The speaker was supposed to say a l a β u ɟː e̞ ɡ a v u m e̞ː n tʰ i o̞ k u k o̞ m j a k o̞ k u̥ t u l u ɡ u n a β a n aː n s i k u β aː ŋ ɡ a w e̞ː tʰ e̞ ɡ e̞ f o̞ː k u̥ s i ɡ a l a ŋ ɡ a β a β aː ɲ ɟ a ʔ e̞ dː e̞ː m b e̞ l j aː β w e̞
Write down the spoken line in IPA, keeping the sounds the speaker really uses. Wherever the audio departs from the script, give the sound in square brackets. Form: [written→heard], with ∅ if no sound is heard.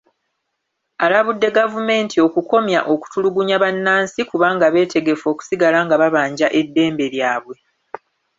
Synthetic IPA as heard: a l a β u [ɟː→dː] e̞ ɡ a v u m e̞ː n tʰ i o̞ k u k o̞ m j a [k→ʔ] o̞ k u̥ t u l u ɡ u [n→ɲ] a β a [n→nː] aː n s i k u β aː ŋ ɡ a [w→β] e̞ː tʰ e̞ ɡ e̞ f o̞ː k u̥ s i ɡ a l a ŋ ɡ a β a β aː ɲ ɟ a ʔ e̞ dː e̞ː m b e̞ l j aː β w e̞

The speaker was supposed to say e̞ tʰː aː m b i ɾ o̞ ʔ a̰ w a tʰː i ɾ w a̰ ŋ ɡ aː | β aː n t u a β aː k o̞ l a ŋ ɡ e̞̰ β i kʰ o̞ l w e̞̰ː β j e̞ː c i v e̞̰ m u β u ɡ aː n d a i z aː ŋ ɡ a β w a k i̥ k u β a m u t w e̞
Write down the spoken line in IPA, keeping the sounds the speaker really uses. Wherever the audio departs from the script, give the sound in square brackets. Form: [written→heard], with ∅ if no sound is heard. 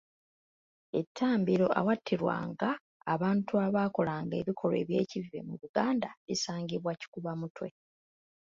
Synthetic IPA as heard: e̞ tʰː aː m b i ɾ o̞ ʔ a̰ w a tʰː i ɾ w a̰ ŋ ɡ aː | β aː n t u a β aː k o̞ l a ŋ ɡ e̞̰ β i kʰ o̞ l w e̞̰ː β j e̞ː c i v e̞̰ m u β u ɡ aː n d a i [z→s] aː ŋ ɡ [a→i] β w a [k→c] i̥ k u β a m u t w e̞

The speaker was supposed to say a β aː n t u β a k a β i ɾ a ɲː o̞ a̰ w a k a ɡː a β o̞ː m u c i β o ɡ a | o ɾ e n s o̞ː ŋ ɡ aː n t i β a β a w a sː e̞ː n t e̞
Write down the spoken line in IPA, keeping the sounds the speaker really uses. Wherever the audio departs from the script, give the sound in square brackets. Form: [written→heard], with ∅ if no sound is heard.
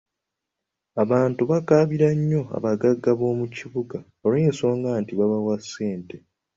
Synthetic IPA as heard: a β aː n t u β a k a β i ɾ a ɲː o̞ a̰ [w→β] a [k→ɡ] a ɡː a β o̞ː m u c i β [o→u] ɡ a | o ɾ e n s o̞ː ŋ ɡ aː n t i β a β a w a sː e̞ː n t e̞

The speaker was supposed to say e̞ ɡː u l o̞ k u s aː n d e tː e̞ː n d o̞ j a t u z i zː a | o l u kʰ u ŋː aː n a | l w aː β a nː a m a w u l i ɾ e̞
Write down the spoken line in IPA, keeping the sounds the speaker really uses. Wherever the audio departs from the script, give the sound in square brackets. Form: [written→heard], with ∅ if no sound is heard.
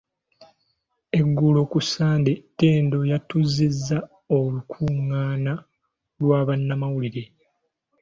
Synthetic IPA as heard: e̞ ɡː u l o̞ k u s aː n d e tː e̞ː n d o̞ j a t u z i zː a | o l u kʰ u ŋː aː n a | l w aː β a nː a m a w u l i ɾ e̞

